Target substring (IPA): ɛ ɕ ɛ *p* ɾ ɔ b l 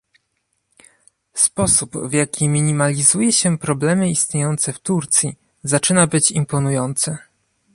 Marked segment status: correct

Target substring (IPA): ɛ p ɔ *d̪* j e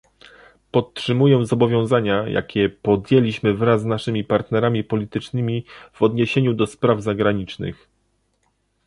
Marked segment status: correct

